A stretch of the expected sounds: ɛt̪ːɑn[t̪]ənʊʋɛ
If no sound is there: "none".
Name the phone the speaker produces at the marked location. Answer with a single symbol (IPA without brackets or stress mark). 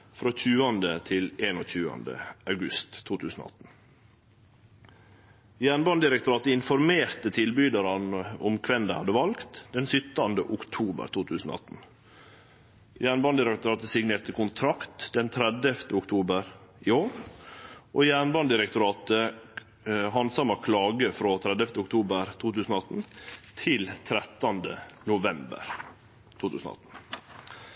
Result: d̪